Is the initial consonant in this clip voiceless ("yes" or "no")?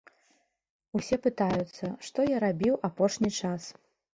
yes